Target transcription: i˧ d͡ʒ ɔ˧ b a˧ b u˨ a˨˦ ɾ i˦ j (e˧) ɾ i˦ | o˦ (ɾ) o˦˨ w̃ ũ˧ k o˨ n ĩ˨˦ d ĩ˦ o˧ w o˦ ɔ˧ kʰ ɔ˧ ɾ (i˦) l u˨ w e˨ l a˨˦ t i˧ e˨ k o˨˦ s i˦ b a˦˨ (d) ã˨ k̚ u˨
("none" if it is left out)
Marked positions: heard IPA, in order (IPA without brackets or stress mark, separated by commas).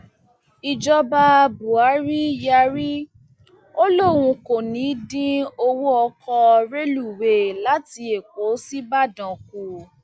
a˧, l, e˦, d